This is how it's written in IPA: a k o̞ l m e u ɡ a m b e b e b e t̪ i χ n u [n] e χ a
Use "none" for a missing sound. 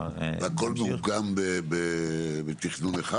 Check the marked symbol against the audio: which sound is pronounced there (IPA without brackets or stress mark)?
n